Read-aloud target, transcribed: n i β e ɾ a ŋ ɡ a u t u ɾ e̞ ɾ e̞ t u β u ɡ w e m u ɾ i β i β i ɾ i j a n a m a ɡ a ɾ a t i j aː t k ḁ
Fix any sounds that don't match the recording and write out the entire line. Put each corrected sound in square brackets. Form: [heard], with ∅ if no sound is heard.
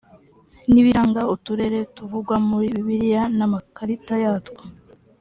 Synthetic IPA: n i β [i] ɾ a ŋ ɡ a u t u ɾ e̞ ɾ e̞ t u [v] u ɡ w [a] m u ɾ i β i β i ɾ i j a n a m a [k] a ɾ [i] t [a] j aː t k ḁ